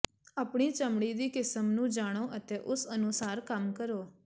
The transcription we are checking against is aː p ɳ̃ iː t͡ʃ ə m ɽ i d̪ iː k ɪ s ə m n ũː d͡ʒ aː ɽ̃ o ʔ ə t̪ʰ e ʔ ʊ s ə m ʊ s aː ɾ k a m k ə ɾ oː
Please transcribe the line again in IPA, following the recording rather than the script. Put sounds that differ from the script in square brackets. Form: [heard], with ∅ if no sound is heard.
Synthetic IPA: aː p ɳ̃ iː t͡ʃ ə m ɽ i d̪ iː k ɪ s ə m n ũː d͡ʒ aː ɽ̃ o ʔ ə [t̪] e ʔ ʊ s ə [n] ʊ s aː ɾ k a m k ə ɾ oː